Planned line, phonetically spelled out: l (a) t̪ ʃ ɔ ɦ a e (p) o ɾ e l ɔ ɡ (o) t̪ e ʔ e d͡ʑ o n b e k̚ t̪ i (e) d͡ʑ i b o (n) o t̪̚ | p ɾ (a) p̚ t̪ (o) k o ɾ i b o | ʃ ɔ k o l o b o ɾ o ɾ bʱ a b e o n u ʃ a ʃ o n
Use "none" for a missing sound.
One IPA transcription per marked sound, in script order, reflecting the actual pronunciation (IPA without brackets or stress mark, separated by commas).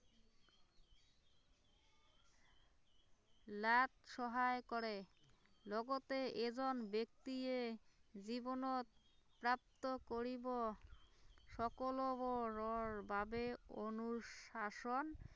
a, k, o, e, n, a, o